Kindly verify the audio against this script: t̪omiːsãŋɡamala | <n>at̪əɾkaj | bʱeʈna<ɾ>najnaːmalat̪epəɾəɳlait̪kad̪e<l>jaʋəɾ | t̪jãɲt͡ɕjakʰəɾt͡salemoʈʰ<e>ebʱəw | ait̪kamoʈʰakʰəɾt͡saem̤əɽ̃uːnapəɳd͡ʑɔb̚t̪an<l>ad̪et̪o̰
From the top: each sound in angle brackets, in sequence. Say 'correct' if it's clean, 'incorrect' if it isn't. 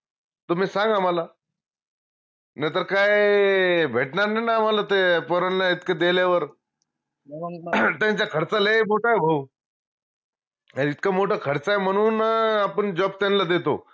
correct, correct, correct, incorrect: a, correct

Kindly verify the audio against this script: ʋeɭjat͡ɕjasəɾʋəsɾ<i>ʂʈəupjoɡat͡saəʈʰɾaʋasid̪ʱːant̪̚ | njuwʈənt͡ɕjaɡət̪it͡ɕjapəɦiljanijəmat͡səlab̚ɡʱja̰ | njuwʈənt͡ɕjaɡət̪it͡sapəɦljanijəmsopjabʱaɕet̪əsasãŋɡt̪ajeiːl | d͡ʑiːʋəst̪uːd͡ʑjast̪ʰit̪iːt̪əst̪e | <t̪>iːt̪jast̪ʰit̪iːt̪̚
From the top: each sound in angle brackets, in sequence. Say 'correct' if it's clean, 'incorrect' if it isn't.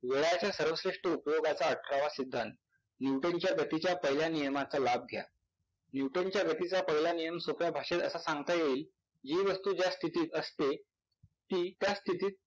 incorrect: e, correct

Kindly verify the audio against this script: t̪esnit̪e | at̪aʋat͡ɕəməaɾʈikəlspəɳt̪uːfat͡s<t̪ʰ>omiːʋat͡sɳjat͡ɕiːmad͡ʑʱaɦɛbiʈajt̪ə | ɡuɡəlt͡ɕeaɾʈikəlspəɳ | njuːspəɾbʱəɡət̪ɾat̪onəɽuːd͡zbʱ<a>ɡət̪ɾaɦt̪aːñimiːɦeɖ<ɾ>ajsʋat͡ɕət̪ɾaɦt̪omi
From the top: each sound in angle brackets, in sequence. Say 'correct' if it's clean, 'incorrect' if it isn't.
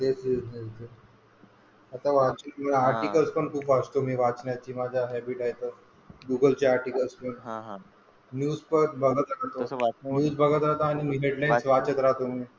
incorrect: t̪, incorrect: ə, incorrect: l

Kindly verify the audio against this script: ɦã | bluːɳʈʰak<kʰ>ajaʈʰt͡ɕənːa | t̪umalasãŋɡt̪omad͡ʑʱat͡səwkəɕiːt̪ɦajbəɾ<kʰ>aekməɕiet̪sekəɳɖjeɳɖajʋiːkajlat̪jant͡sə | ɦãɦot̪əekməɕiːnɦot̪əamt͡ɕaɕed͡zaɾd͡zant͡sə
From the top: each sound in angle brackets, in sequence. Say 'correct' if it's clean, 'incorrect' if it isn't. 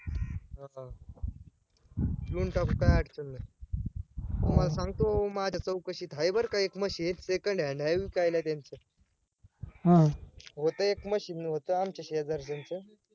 incorrect: k, incorrect: k

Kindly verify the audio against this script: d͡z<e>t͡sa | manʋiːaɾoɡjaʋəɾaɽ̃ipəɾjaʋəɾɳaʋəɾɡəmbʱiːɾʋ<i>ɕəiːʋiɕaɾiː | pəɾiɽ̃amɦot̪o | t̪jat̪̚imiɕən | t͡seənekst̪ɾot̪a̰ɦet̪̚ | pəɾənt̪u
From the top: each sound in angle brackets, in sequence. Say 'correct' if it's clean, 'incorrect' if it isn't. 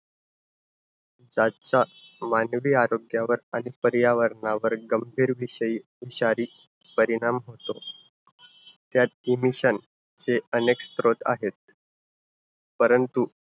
incorrect: a, correct

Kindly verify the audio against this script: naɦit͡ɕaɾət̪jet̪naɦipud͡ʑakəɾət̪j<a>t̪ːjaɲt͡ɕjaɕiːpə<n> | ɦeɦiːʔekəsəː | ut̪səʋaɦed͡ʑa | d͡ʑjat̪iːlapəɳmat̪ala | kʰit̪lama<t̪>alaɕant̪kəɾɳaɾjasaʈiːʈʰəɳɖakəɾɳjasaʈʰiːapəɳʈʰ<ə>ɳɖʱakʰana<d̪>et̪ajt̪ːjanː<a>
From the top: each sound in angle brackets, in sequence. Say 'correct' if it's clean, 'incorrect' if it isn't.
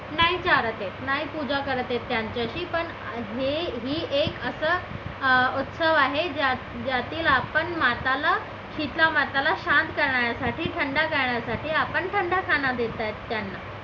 incorrect: e, incorrect: ɳ, correct, correct, correct, correct

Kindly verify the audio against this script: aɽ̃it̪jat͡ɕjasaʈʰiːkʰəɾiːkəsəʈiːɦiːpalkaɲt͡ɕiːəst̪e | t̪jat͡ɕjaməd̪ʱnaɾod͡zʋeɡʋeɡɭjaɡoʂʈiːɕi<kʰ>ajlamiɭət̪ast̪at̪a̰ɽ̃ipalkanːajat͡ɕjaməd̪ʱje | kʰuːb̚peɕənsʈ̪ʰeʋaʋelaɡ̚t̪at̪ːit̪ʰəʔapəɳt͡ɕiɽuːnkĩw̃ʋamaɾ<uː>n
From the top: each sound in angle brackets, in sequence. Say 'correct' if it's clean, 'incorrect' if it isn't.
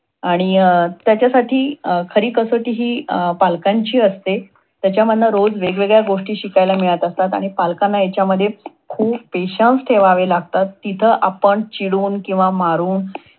incorrect: k, correct

